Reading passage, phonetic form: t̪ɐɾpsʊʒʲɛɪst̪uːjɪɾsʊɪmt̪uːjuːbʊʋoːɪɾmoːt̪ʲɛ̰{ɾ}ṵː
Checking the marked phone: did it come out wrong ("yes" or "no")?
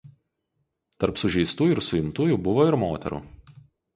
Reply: no